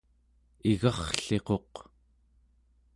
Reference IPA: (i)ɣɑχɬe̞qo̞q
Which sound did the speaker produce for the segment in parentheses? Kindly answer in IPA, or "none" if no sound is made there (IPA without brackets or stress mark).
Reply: i